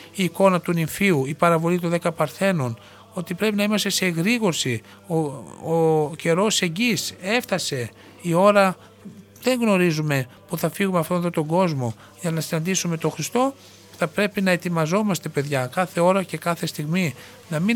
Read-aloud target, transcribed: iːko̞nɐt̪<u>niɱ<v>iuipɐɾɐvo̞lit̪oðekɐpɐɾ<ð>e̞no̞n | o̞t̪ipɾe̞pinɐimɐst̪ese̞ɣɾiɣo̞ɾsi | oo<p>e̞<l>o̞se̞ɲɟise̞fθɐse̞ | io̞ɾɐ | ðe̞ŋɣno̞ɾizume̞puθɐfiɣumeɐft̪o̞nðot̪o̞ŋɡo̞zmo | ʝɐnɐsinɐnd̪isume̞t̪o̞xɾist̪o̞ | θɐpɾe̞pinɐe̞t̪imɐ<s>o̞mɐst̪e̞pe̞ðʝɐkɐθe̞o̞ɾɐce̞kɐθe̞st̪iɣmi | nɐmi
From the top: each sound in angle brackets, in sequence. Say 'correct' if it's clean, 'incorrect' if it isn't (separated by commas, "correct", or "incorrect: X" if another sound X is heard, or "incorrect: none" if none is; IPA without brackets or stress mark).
correct, incorrect: f, incorrect: θ, incorrect: c, incorrect: ɾ, incorrect: z